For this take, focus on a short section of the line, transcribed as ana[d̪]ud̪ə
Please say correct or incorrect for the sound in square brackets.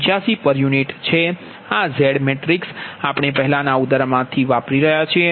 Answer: incorrect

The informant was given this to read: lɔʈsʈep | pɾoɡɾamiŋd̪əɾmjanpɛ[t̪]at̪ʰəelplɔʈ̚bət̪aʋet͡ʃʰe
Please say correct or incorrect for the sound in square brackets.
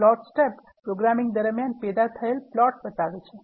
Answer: incorrect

